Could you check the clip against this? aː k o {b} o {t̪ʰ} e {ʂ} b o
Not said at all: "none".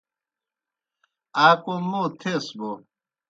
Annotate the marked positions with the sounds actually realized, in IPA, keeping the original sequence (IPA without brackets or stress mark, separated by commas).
m, t̪ʰ, s